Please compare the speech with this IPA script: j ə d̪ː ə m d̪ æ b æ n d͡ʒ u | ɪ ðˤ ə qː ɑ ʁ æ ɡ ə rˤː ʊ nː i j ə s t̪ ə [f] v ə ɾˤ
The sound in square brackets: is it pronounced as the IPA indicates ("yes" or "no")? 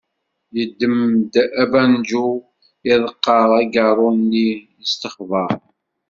no